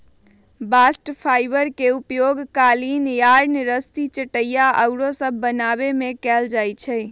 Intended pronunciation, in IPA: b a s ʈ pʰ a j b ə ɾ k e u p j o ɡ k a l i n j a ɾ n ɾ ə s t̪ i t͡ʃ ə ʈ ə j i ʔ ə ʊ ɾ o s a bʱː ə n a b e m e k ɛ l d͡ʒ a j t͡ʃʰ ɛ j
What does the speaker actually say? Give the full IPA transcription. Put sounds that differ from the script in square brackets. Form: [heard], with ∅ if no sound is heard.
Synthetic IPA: b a s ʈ pʰ a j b ə ɾ k e u p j o ɡ k a l i n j a ɾ n ɾ ə s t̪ i t͡ʃ ə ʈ ə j [a] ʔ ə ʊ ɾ o s [ə] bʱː ə n a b e m e k ɛ l d͡ʒ a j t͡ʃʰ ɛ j